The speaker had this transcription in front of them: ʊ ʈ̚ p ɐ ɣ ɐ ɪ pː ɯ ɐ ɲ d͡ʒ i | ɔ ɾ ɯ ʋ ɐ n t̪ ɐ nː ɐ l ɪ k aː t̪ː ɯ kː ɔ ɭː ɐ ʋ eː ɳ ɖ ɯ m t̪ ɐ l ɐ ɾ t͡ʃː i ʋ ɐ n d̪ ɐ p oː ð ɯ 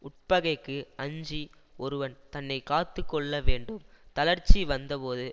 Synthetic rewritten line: ʊ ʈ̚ p ɐ ɣ ɐ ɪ kː ɯ ɐ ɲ d͡ʒ i | ɔ ɾ ɯ ʋ ɐ n t̪ ɐ nː ɐ ɪ k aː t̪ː ɯ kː ɔ ɭː ɐ ʋ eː ɳ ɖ ɯ m t̪ ɐ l ɐ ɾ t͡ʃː i ʋ ɐ n d̪ ɐ p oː ð ɯ